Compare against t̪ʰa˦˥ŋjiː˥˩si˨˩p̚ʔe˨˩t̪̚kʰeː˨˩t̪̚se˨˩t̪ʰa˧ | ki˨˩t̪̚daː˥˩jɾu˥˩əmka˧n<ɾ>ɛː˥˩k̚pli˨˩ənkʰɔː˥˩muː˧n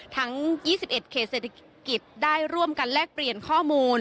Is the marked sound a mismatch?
yes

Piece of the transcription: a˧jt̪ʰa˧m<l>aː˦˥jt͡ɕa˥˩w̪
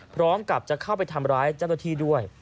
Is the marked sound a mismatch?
yes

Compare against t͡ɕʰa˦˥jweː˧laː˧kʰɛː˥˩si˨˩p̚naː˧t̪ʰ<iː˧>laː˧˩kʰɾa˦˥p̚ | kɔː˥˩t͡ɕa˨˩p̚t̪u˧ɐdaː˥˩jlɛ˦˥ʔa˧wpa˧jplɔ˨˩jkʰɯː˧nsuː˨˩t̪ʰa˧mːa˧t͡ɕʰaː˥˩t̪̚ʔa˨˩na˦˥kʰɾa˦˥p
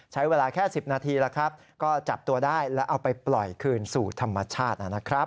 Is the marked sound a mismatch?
no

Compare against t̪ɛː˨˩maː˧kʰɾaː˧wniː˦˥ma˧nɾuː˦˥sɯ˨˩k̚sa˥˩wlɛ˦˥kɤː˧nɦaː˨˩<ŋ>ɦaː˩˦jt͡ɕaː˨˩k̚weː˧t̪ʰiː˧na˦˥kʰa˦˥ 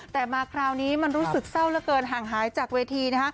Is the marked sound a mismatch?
no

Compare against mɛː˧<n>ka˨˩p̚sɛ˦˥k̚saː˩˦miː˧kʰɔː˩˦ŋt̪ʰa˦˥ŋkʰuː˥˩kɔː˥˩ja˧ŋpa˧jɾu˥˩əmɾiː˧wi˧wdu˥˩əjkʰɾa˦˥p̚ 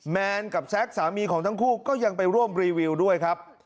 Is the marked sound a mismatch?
no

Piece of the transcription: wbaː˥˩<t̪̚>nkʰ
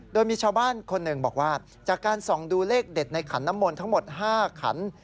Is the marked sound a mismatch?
yes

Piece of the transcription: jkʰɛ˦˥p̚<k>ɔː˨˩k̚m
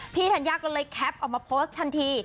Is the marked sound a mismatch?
yes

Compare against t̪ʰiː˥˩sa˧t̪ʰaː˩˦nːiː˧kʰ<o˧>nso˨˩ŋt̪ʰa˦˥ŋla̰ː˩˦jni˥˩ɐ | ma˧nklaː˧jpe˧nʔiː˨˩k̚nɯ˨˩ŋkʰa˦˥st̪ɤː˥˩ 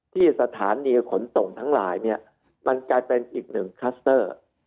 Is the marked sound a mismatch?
yes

